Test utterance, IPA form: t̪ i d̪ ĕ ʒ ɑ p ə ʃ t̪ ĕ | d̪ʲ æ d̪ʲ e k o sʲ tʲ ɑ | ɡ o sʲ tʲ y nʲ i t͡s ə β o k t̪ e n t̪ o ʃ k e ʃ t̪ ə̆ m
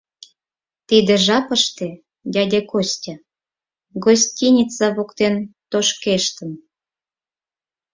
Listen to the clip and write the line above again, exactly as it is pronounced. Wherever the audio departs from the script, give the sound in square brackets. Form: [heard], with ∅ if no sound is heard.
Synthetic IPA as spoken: t̪ i d̪ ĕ ʒ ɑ p ə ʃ t̪ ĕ | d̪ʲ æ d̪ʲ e k o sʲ tʲ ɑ | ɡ o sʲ tʲ [i] nʲ i t͡s [ɑ] β o k t̪ e n t̪ o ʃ k e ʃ t̪ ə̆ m

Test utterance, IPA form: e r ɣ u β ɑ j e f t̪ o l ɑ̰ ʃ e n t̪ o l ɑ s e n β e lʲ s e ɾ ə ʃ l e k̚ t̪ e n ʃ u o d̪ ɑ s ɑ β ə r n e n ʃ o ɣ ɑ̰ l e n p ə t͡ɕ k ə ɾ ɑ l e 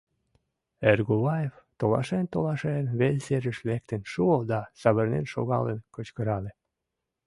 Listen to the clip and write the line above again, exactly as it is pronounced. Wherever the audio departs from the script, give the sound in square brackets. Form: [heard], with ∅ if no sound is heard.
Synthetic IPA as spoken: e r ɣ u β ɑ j e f t̪ o l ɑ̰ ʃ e n t̪ o l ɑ [ʃ] e n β e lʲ s e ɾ ə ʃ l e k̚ t̪ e n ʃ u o d̪ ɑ s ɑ β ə r n e n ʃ o ɣ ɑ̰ l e n [k] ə t͡ɕ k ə ɾ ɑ l e

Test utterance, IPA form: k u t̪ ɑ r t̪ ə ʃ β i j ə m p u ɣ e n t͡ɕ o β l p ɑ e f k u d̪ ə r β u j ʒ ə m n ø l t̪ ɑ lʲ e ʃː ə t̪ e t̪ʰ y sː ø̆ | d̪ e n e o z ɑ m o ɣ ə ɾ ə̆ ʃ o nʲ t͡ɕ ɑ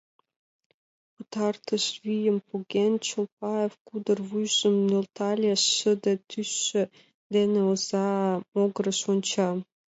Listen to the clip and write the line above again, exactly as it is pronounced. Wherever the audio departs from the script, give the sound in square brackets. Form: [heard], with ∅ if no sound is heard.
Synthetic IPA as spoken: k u t̪ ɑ r t̪ ə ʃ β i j ə m p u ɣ e n t͡ɕ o [∅] l p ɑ e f k u d̪ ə r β u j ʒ ə m n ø l t̪ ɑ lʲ e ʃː ə [d̪] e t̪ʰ y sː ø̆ | d̪ e n e o z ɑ m o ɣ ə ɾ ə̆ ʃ o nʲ t͡ɕ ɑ

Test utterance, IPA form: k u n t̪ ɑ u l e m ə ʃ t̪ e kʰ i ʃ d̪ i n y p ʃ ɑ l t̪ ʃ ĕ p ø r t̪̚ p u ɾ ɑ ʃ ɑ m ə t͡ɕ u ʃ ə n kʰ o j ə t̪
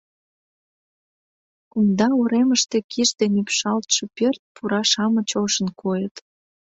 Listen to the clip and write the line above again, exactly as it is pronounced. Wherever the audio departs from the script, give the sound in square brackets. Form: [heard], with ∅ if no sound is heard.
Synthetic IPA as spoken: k u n [d̪] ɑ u [ɾ] e m ə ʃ t̪ e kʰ i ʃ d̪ [e] n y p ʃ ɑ l t̪ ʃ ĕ p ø r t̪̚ p u ɾ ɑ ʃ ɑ m ə t͡ɕ [o] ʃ ə n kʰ o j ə t̪

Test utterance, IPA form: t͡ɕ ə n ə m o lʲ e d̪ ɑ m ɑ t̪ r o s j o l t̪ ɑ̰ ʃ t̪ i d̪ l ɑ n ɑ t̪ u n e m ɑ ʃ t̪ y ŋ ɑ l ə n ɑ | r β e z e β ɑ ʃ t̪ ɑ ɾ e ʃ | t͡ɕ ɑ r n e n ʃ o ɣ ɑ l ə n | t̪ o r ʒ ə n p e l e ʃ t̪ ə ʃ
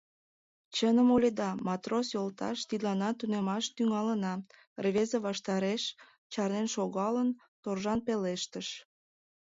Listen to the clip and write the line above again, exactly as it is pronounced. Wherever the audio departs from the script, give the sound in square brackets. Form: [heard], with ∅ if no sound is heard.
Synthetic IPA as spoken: t͡ɕ ə n ə m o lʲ e d̪ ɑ m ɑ t̪ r o s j o l t̪ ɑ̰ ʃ t̪ i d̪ l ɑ n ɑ t̪ u n e m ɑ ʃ t̪ y ŋ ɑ l ə n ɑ | r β e z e β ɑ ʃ t̪ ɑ ɾ e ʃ | t͡ɕ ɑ r n e n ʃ o ɣ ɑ l ə n | t̪ o r ʒ [ɑ] n p e l e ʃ t̪ ə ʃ

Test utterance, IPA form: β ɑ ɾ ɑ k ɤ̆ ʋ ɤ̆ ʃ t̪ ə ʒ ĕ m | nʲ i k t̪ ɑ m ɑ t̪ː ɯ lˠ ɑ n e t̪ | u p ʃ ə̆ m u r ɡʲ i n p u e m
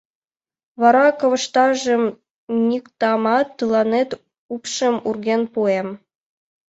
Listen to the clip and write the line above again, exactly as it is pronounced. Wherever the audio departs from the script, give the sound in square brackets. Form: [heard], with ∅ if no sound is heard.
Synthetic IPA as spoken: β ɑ ɾ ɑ k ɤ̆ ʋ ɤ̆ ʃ t̪ [ɑ] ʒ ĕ m | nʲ i k t̪ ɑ m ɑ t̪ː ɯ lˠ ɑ n e t̪ | u p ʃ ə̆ m u r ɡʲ [e] n p u e m

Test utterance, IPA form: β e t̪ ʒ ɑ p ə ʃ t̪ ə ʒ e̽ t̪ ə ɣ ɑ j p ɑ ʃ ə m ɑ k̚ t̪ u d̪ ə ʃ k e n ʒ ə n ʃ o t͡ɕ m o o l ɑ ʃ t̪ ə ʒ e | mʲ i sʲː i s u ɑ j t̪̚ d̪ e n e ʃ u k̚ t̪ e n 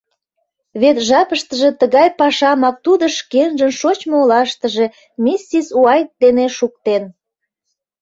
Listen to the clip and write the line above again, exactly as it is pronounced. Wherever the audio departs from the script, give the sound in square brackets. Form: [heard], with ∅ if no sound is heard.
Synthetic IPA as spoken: β e t̪ ʒ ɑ p ə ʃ t̪ ə ʒ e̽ t̪ ə ɣ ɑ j p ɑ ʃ [ɑ] m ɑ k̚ t̪ u d̪ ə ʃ k e n ʒ ə n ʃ o t͡ɕ m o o l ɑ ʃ t̪ ə ʒ e | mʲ i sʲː i s u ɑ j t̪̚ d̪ e n e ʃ u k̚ t̪ e n

